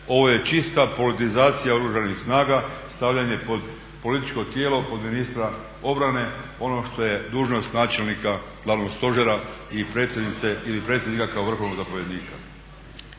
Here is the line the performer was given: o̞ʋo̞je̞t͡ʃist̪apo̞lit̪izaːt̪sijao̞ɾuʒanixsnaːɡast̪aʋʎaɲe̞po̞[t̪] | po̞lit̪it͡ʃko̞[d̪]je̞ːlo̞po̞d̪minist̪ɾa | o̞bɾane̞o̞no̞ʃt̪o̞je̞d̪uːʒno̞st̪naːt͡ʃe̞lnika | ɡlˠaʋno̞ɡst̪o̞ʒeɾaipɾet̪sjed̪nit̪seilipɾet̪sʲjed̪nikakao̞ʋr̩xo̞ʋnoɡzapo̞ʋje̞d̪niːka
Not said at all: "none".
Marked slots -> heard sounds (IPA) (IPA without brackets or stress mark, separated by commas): d̪, t̪